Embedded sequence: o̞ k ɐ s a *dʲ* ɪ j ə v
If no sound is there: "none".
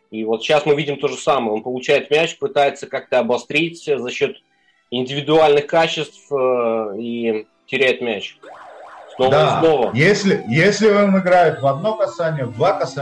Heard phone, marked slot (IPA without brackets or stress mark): nʲ